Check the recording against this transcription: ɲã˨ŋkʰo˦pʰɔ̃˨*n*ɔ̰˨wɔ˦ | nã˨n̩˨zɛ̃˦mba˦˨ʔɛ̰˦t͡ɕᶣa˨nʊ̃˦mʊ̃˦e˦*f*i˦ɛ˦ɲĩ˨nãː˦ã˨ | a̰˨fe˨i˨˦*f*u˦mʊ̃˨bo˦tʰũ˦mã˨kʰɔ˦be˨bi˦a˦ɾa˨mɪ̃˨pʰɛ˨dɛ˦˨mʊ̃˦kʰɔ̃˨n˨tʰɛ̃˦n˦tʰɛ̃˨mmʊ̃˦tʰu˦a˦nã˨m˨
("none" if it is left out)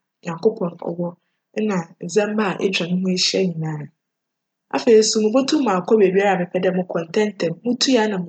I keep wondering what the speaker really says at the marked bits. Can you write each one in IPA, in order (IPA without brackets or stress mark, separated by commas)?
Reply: n, ɕ, s